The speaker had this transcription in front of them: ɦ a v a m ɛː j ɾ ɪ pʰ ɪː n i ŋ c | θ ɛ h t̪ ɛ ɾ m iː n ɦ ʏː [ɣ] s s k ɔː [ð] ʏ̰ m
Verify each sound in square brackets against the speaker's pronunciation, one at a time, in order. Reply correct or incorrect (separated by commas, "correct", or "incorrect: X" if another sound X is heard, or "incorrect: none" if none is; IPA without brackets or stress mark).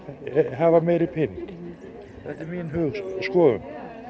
correct, correct